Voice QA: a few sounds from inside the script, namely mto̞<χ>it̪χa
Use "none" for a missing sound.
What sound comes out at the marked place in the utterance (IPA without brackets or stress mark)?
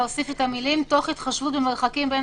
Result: χ